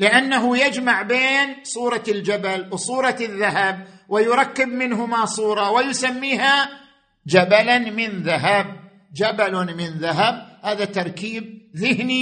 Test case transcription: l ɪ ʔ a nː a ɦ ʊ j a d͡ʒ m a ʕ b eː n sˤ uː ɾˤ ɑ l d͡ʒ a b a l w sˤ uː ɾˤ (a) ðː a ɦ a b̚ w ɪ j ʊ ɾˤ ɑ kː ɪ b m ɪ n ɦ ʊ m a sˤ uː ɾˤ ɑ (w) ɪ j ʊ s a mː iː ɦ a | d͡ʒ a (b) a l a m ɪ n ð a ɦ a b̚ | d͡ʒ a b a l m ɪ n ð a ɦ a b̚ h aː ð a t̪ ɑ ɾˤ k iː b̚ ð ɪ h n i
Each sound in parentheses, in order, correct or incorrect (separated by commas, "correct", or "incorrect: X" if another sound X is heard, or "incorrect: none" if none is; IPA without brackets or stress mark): incorrect: ɑ, correct, correct